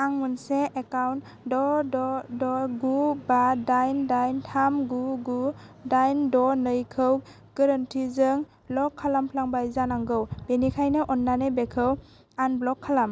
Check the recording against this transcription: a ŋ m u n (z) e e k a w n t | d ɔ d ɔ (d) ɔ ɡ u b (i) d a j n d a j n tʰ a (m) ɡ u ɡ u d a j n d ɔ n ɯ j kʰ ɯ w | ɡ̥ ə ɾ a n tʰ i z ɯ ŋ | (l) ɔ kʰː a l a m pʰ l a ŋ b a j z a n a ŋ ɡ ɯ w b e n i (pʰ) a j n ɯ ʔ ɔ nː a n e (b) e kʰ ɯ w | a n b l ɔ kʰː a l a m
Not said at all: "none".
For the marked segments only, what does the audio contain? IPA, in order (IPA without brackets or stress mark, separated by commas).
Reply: s, d, a, m, l, kʰ, b